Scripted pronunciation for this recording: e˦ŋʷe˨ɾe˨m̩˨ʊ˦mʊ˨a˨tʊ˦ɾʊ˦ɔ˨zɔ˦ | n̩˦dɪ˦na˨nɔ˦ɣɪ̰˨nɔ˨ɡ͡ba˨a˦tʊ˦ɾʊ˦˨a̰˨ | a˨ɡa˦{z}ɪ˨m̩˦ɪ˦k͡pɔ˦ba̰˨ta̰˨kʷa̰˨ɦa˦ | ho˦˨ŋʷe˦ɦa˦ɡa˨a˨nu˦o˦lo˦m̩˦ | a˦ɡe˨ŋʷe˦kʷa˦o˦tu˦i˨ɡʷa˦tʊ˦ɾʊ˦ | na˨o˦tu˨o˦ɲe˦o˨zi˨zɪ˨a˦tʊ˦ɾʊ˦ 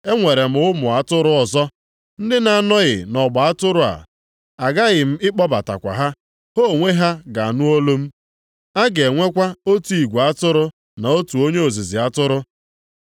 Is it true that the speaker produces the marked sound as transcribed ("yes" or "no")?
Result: no